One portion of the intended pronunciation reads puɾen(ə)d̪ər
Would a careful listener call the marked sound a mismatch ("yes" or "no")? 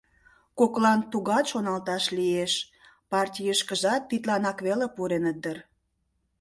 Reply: no